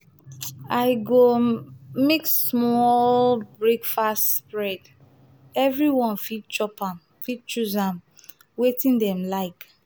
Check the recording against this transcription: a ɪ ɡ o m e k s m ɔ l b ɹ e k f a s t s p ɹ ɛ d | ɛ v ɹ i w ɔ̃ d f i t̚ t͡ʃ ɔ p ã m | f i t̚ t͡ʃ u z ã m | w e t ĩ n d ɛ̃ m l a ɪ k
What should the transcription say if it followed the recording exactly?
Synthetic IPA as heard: a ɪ ɡ o m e k s m ɔ l b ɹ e k f a s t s p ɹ ɛ d | ɛ v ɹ i w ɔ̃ n f i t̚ t͡ʃ ɔ p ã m | f i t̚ t͡ʃ u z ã m | w e t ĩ n d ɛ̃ m l a ɪ k